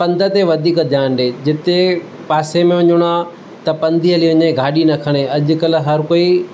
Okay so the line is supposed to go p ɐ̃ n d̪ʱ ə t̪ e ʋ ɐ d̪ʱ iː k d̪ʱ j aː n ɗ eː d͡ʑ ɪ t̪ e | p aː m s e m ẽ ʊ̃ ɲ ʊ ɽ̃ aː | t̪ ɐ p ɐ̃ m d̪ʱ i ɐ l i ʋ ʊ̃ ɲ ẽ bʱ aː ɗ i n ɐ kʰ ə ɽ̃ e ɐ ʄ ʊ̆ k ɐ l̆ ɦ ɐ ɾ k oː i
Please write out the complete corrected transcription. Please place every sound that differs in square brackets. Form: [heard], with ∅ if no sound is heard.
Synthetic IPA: p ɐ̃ n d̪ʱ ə t̪ e ʋ ɐ d̪ʱ iː k d̪ʱ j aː n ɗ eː d͡ʑ ɪ t̪ e | p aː [∅] s e m ẽ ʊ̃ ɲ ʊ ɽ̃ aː | t̪ ɐ p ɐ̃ [n] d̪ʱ i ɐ l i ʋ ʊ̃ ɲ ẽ [ɡʱ] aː ɗ i n ɐ kʰ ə ɽ̃ e ɐ ʄ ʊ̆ k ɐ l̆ ɦ ɐ ɾ k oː i

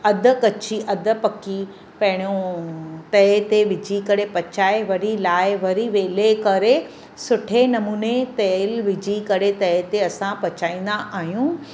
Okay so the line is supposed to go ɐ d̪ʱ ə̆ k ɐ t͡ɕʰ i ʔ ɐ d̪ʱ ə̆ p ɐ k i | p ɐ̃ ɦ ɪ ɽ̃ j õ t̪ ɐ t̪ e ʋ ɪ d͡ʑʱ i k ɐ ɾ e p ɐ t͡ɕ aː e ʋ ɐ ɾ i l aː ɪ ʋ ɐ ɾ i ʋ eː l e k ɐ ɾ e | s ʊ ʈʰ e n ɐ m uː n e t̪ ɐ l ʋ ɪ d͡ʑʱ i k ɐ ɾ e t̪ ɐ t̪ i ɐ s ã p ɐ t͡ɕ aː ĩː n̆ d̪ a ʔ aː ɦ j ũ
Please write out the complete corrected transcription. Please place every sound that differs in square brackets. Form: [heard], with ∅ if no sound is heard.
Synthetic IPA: ɐ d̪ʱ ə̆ k ɐ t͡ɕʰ i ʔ ɐ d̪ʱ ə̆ p ɐ k i | p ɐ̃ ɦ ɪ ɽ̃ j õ t̪ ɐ t̪ e ʋ ɪ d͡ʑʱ i k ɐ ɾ e p ɐ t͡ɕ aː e ʋ ɐ ɾ i l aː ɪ ʋ ɐ ɾ i ʋ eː l e k ɐ ɾ e | s ʊ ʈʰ e n ɐ m uː n e t̪ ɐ l ʋ ɪ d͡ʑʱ i k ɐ ɾ e t̪ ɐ t̪ [e] ɐ s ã p ɐ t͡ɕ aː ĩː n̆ d̪ a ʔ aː ɦ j ũ

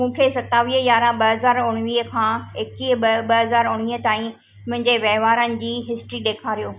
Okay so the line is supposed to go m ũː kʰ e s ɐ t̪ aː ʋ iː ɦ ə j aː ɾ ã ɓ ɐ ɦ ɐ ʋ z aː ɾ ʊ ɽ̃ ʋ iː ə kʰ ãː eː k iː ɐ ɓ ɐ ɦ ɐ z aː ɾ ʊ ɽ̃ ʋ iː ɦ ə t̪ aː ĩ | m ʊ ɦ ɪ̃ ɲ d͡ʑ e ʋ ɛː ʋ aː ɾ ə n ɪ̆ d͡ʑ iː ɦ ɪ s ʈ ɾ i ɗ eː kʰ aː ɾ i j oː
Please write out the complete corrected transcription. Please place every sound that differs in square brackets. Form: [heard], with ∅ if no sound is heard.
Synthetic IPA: m ũː kʰ e s ɐ t̪ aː ʋ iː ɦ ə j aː ɾ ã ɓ ɐ ɦ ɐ [∅] z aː ɾ ʊ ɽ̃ ʋ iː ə kʰ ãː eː k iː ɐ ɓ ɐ ɦ ɐ z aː ɾ ʊ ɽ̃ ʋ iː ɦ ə t̪ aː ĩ | m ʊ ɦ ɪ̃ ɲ d͡ʑ e ʋ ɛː ʋ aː ɾ ə n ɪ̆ d͡ʑ iː ɦ ɪ s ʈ ɾ i ɗ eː kʰ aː ɾ i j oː

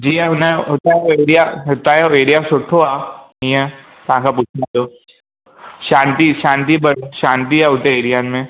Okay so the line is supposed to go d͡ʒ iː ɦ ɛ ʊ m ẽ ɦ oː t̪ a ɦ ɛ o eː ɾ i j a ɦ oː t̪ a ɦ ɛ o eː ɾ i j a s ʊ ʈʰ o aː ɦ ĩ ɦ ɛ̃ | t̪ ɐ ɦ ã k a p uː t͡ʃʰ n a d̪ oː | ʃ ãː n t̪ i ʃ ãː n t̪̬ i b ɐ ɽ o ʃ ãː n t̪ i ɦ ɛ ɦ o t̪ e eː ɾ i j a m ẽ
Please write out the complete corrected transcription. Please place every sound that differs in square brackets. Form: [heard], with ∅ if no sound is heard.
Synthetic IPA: d͡ʒ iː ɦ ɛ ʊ [n] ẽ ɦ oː t̪ a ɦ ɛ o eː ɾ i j a ɦ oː t̪ a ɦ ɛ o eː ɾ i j a s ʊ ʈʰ o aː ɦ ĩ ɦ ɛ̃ | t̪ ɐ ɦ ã k a p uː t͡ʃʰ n a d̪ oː | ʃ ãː n t̪ i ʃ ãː n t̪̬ i b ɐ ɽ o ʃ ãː n t̪ i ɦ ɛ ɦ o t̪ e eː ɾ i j a m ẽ

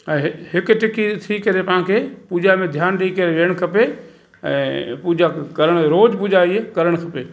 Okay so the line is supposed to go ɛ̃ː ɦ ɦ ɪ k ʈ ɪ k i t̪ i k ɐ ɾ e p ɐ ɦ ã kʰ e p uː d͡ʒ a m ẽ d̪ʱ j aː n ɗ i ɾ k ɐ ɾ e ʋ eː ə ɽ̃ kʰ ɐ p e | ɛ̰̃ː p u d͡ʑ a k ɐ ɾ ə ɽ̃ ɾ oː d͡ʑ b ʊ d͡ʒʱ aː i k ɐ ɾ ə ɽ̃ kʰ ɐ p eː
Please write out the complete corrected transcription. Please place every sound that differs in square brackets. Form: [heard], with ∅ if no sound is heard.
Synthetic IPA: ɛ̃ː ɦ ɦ ɪ k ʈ ɪ k i [t̪ʰ] i k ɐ ɾ e p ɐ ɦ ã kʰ e p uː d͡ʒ a m ẽ d̪ʱ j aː n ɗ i [∅] k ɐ ɾ e ʋ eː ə ɽ̃ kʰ ɐ p e | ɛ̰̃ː p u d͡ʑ a k ɐ ɾ ə ɽ̃ ɾ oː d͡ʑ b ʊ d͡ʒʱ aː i k ɐ ɾ ə ɽ̃ kʰ ɐ p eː

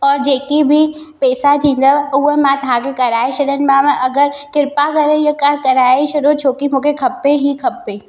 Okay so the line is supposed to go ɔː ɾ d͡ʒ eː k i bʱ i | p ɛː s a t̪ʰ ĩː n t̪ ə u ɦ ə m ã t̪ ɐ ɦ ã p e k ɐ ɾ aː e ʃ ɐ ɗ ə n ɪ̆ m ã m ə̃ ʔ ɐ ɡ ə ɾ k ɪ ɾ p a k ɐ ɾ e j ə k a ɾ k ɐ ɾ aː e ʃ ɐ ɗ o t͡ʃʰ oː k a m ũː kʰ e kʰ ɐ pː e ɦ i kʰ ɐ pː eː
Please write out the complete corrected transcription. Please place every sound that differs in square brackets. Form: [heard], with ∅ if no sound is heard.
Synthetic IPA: ɔː ɾ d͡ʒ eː k i bʱ i | p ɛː s a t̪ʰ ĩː n [d̪] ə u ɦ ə m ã t̪ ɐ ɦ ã [k] e k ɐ ɾ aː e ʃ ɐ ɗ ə n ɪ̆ m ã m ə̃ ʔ ɐ ɡ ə ɾ k ɪ ɾ p a k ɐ ɾ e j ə k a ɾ k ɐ ɾ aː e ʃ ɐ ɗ o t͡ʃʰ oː k [i] m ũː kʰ e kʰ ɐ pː e ɦ i kʰ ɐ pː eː

